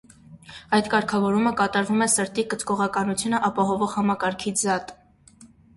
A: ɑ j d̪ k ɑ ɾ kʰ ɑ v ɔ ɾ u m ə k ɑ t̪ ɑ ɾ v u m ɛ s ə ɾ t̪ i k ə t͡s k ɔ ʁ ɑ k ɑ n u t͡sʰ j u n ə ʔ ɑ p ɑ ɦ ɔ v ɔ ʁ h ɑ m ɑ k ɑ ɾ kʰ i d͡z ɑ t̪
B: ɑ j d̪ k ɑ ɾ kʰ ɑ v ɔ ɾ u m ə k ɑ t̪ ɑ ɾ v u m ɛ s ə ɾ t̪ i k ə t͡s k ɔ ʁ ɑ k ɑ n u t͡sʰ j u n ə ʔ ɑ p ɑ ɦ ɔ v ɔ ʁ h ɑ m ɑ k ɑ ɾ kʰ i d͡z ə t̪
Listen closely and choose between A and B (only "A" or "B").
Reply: A